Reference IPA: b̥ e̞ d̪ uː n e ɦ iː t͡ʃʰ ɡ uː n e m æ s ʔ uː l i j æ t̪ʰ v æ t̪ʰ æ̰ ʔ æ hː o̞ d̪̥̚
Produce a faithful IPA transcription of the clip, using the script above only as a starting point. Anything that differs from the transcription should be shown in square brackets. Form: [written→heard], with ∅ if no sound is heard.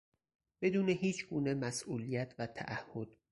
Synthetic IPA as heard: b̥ e̞ d̪ uː n e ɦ iː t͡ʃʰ ɡ uː n e m æ s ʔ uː l i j æ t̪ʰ v æ t̪ʰ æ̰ ʔ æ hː o̞ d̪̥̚